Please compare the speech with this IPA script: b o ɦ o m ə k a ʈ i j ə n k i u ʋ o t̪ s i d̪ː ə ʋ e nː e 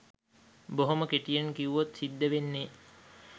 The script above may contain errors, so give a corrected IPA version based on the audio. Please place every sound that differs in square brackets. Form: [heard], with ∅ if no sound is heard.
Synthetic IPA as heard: b o ɦ o m ə k [e] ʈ i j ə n k i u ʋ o t̪ s i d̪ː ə ʋ e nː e

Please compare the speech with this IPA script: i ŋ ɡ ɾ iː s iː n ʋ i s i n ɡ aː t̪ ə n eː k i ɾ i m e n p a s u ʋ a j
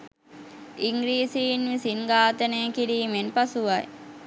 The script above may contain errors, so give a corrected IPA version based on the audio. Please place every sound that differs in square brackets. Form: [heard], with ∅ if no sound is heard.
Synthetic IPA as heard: i ŋ ɡ ɾ iː s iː n ʋ i s i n ɡ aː t̪ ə n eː k i ɾ [iː] m e n p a s u ʋ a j

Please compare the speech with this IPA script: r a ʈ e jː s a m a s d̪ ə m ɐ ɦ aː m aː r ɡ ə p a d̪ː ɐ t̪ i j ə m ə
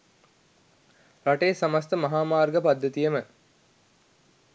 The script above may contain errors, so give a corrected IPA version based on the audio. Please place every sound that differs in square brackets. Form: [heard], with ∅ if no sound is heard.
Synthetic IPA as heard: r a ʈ e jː s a m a s [t̪] ə m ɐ ɦ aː m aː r ɡ ə p a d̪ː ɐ t̪ i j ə m ə

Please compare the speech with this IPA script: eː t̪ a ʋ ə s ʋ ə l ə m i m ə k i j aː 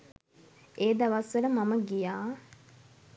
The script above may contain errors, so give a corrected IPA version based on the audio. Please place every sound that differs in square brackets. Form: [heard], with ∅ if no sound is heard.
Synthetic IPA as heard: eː [d̪] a ʋ [a] s ʋ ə l ə m [a] m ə [ɡ] i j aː

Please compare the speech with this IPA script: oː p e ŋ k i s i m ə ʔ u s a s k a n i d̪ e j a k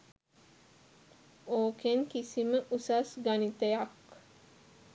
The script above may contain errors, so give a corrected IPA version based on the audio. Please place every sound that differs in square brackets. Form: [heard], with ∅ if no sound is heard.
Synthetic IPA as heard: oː [k] e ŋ k i s i m ə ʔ u s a s [ɡ] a n i [t̪] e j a k

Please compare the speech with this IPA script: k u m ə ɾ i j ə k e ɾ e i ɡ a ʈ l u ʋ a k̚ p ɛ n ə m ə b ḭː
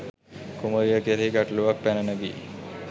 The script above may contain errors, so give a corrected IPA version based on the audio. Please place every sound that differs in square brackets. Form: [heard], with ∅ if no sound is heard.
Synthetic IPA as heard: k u m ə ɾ i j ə k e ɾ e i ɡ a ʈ l u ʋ a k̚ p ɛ n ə [n] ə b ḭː

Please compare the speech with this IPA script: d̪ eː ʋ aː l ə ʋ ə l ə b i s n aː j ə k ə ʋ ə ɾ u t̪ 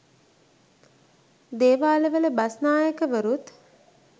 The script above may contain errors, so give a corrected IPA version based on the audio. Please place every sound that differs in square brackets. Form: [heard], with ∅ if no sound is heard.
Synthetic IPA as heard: d̪ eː ʋ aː l ə ʋ ə l ə b [a] s n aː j ə k ə ʋ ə ɾ u t̪

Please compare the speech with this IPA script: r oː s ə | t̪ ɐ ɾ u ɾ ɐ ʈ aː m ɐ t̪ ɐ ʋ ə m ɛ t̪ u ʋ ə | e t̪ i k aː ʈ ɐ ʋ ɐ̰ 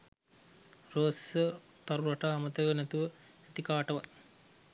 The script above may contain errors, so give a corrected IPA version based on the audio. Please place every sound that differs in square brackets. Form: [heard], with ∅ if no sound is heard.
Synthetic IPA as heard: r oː s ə | t̪ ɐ ɾ u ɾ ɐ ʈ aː m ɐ t̪ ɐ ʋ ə [n] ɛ t̪ u ʋ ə | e t̪ i k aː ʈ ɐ ʋ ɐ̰

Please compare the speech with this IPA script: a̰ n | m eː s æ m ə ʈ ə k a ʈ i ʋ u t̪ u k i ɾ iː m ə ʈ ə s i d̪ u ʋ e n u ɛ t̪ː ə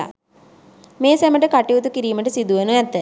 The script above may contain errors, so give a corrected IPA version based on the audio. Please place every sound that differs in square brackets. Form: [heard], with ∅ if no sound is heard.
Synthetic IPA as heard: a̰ [∅] | m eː s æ m ə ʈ ə k a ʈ i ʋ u t̪ u k i ɾ iː m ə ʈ ə s i d̪ u ʋ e n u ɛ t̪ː ə

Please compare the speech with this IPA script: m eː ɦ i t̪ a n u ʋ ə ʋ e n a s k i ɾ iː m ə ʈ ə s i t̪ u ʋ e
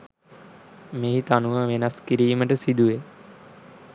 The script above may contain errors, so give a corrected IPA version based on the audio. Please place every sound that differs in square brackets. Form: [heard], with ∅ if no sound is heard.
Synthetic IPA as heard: m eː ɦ i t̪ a n u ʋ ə ʋ e n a s k i ɾ iː m ə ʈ ə s i [d̪] u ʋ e

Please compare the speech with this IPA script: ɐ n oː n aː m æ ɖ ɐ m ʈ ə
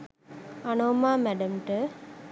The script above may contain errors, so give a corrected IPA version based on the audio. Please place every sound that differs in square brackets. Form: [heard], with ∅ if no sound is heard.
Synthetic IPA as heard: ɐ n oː [m] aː m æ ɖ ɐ m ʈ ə

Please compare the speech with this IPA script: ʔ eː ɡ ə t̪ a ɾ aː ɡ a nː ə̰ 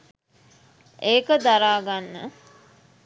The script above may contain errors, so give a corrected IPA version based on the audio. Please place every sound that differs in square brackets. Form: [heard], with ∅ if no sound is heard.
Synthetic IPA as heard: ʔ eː [k] ə [d̪] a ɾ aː ɡ a nː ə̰

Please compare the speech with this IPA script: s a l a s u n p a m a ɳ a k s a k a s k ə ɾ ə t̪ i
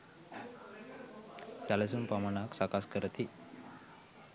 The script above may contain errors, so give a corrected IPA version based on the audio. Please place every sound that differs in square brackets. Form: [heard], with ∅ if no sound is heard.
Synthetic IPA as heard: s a l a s u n p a m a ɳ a k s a k a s k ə ɾ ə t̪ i

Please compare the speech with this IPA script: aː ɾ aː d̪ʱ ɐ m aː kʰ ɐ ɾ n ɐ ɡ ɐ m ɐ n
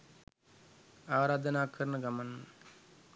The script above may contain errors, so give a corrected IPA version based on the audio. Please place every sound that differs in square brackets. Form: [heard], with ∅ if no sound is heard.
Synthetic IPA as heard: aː ɾ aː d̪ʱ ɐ [n] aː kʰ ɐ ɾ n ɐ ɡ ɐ m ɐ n

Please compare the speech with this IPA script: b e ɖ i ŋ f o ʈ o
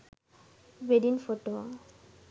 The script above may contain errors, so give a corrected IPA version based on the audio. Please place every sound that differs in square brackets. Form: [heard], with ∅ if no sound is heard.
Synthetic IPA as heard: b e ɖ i [n] f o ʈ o

